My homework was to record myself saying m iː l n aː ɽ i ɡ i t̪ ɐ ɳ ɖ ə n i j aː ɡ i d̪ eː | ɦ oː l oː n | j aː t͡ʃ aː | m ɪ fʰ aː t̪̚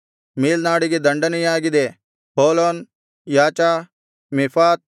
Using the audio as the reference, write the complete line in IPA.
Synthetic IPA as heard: m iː l n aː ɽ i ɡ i d̪ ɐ ɳ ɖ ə n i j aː ɡ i d̪ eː | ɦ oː l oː n | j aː t͡ʃ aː | m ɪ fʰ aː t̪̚